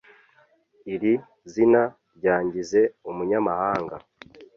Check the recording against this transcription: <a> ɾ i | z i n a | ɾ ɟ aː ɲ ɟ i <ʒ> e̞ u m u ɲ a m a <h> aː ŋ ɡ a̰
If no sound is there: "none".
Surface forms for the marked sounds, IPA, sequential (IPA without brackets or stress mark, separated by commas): i, z, h